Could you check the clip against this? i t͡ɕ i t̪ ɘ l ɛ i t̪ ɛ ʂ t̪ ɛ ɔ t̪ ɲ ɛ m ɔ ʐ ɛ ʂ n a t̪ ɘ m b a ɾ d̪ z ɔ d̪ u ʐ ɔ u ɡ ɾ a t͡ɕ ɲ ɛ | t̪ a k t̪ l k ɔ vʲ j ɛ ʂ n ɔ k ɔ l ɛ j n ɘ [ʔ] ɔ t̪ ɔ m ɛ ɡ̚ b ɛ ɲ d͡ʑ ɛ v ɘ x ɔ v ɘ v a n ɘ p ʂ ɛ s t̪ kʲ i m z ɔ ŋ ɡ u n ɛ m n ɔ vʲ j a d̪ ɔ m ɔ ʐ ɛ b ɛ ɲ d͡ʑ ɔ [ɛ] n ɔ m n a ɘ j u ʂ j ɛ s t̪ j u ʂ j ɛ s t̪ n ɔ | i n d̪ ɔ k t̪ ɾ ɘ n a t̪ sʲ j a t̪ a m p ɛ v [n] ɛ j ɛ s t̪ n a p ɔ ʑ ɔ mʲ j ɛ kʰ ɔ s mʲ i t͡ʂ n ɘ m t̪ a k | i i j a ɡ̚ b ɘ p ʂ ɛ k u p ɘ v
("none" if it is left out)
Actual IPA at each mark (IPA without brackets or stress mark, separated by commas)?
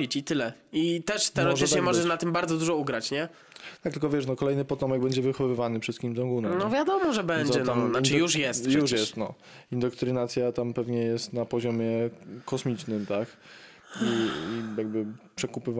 p, ɛ, ɲ